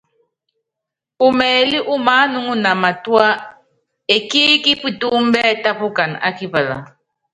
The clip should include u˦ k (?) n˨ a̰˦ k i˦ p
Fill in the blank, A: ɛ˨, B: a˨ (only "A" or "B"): B